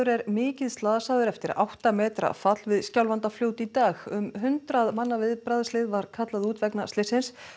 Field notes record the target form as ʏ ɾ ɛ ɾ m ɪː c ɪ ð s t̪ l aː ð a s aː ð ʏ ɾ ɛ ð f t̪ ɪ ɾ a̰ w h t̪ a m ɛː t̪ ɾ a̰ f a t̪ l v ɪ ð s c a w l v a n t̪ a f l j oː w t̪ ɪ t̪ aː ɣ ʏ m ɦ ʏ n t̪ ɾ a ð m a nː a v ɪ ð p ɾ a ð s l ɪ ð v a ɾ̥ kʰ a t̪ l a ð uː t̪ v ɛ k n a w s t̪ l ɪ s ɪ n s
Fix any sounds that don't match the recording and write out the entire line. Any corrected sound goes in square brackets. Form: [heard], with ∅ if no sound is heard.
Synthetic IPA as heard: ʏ ɾ ɛ ɾ m ɪː c ɪ ð s t̪ l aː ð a s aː ð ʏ ɾ ɛ [∅] f t̪ ɪ ɾ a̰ w h t̪ a m ɛː t̪ ɾ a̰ f a t̪ l v ɪ ð s c a w l v a n t̪ a f l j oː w t̪ [i] t̪ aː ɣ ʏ m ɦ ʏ n t̪ ɾ a ð m a nː a v ɪ ð p ɾ a ð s l ɪ ð v a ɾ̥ kʰ a t̪ l a ð uː t̪ v ɛ k n a [∅] s t̪ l ɪ s ɪ n s